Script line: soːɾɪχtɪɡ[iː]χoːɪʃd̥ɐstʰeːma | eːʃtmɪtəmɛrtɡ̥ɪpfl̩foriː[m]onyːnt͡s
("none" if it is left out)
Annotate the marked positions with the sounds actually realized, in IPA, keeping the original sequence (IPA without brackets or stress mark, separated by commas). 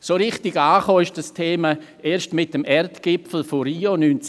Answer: aː, none